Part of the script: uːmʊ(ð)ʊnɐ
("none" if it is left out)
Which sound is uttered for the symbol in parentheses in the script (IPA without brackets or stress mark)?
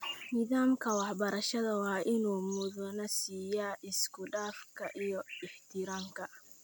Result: ð